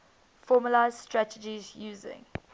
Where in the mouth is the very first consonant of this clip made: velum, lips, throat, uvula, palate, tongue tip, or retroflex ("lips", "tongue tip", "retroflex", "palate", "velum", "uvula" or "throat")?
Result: lips